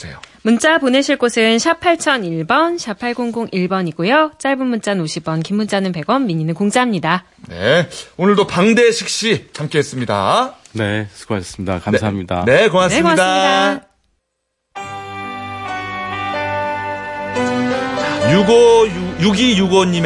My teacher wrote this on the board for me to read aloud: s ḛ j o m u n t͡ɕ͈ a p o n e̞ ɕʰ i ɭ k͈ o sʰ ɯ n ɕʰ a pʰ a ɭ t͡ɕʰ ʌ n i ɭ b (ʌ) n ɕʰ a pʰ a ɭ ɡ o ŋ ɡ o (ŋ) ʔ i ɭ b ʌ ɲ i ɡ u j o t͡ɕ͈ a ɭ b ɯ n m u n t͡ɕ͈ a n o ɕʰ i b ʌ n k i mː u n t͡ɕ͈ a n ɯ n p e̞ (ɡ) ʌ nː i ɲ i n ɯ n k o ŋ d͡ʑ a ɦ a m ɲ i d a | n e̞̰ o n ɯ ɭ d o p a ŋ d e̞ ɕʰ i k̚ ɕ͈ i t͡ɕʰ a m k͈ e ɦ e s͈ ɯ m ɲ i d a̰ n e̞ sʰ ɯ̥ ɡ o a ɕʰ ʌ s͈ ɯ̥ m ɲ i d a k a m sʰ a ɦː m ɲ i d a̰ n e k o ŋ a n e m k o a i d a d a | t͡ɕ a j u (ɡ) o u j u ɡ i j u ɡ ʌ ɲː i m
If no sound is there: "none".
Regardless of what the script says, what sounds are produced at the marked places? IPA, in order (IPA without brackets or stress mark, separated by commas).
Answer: ʌ, ŋ, ɡ, ɡ